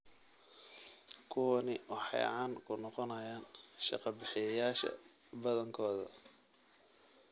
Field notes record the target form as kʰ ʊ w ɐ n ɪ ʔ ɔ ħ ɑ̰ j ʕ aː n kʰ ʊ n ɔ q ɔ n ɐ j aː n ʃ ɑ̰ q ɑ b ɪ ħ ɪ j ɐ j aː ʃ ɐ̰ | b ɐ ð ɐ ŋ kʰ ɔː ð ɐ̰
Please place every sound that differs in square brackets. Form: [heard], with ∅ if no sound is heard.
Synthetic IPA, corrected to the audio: kʰ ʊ w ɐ n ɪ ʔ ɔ ħ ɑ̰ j ʕ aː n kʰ ʊ n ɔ q ɔ n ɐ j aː n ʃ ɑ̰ q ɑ b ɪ ħ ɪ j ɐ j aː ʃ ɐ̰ | b ɐ ð ɐ ŋ kʰ ɔː ð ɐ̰